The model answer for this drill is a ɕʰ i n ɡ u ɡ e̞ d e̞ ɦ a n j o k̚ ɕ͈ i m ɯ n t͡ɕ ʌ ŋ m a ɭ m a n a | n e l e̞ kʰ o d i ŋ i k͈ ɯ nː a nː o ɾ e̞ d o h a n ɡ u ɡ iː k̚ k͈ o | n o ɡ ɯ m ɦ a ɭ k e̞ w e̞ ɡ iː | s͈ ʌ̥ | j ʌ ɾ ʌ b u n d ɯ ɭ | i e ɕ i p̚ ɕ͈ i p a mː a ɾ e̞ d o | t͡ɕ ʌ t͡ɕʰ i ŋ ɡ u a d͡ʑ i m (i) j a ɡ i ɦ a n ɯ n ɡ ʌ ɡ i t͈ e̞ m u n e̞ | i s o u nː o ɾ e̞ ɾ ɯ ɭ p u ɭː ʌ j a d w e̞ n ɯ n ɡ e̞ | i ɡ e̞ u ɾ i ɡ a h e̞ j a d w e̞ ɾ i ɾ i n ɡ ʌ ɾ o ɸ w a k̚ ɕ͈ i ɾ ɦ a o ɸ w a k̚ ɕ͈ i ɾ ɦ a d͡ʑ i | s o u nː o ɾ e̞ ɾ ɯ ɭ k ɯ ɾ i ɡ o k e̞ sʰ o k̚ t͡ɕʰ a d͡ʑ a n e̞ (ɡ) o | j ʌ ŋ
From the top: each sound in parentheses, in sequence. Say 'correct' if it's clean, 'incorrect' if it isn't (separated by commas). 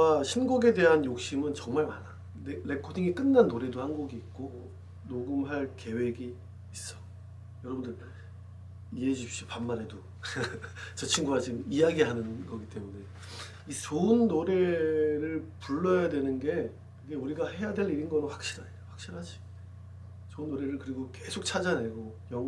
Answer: correct, correct